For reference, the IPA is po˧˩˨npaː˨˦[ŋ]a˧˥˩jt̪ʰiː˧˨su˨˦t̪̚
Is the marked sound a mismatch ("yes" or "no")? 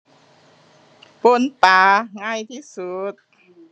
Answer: no